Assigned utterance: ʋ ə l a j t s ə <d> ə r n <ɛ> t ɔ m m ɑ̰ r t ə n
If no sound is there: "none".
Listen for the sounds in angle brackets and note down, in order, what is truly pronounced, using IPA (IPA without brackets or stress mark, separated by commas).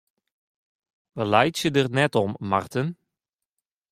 d, ɛ